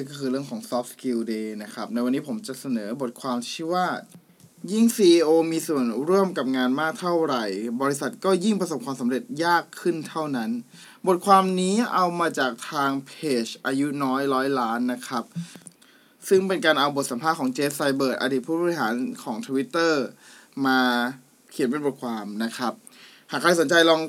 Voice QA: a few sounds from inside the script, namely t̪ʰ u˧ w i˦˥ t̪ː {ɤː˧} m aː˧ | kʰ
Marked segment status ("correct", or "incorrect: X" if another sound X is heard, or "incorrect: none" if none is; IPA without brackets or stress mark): incorrect: ɤː˥˩